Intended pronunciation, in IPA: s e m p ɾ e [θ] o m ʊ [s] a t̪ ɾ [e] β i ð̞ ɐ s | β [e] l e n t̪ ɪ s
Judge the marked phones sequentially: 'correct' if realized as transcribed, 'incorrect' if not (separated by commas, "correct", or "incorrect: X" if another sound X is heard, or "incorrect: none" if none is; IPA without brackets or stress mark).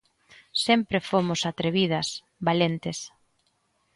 incorrect: f, correct, correct, incorrect: a